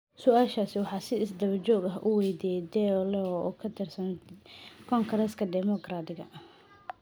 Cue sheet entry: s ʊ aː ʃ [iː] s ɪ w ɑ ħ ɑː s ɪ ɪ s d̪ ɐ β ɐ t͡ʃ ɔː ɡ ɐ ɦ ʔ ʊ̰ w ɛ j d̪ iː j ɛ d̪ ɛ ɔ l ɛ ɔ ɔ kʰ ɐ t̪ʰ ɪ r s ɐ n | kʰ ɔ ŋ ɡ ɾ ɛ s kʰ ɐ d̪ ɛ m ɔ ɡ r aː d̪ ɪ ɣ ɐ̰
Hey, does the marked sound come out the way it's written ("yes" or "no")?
no